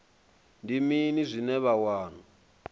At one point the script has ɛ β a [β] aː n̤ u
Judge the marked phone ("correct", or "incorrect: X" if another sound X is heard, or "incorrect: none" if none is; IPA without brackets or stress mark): incorrect: w